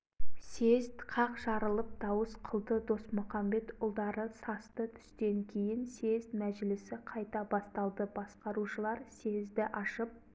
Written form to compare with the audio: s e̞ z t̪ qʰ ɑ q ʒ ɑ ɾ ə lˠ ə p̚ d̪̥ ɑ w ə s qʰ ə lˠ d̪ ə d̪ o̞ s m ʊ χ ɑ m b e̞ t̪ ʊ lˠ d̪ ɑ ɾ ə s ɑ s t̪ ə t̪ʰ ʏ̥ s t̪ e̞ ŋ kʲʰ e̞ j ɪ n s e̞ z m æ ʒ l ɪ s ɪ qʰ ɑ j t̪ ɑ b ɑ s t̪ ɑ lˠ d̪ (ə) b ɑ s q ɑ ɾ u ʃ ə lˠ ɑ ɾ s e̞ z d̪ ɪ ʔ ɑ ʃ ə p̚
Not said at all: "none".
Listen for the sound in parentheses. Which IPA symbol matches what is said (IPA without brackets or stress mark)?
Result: ə